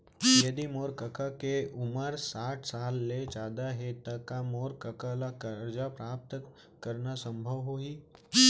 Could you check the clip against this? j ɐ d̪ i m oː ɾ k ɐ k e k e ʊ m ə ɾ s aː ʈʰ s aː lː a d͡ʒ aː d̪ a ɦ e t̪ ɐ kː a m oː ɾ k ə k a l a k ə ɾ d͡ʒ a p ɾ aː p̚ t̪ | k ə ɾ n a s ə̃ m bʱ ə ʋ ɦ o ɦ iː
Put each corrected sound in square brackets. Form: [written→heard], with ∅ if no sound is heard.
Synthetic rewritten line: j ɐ d̪ i m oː ɾ k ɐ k [e→a] k e ʊ m ə ɾ s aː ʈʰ s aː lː [a→e] d͡ʒ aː d̪ a ɦ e t̪ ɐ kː a m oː ɾ k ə k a l a k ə ɾ d͡ʒ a p ɾ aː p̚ t̪ | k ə ɾ n a s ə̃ m bʱ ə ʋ ɦ o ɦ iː